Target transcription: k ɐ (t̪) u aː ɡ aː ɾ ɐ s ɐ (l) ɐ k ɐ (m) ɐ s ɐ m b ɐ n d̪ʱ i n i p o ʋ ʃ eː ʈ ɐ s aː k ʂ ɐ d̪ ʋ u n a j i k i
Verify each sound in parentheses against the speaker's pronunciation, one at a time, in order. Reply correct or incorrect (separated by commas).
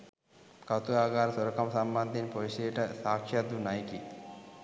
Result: correct, incorrect, correct